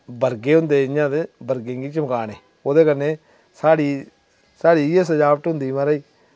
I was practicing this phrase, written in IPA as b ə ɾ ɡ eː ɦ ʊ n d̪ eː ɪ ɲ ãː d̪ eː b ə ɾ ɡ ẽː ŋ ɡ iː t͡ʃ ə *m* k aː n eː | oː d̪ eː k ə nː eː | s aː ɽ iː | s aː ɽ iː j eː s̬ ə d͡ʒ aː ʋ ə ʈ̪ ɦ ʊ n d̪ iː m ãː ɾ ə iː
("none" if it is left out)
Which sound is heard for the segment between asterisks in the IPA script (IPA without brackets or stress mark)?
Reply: m